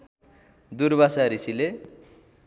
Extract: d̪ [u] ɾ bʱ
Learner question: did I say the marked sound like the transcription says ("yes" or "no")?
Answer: yes